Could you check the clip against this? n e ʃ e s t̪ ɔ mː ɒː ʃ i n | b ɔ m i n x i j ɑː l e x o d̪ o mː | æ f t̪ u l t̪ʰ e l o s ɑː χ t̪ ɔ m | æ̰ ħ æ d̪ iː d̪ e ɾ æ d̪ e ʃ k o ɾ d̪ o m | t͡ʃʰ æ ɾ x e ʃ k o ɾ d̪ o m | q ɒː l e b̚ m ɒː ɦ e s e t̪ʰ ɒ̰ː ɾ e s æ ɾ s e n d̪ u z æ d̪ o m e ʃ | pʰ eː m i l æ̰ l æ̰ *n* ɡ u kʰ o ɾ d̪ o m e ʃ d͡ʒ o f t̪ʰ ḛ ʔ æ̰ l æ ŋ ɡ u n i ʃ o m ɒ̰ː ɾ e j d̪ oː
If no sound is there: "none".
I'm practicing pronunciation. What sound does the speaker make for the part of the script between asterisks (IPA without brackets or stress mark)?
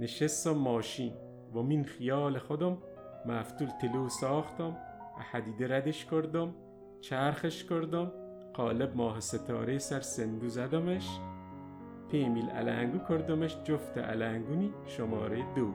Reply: ŋ